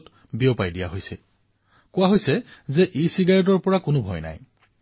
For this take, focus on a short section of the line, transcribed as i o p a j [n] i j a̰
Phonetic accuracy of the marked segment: incorrect: d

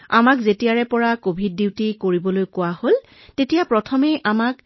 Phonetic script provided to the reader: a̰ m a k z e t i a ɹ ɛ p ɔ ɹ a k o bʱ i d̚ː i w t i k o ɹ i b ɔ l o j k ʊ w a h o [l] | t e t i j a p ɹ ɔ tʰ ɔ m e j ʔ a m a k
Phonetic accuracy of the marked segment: correct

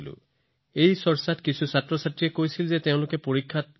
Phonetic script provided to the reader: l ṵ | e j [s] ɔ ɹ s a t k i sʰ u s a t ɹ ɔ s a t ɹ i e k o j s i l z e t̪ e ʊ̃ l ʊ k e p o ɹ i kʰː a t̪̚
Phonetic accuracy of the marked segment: correct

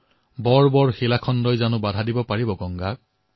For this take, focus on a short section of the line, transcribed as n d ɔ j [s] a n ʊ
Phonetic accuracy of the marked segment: incorrect: z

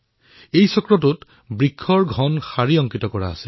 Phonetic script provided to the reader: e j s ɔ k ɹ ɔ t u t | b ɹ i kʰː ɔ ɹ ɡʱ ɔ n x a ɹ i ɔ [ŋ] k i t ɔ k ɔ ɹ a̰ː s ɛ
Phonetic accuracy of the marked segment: correct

